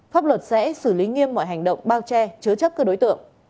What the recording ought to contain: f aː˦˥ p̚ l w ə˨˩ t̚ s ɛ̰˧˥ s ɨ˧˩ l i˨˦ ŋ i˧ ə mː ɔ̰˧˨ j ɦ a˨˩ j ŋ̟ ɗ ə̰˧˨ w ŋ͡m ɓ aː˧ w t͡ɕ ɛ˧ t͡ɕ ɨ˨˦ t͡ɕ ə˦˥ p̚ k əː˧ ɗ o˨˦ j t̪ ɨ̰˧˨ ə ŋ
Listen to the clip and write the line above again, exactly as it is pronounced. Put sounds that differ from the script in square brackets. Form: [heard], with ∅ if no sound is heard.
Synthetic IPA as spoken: f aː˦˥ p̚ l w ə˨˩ t̚ s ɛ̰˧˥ s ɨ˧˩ l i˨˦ ŋ i˧ ə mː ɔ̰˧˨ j ɦ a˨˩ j ŋ̟ ɗ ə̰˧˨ w ŋ͡m ɓ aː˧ w t͡ɕ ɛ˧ t͡ɕ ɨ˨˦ t͡ɕ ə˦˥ p̚ k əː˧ ɗ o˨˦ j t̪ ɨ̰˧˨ ə ŋ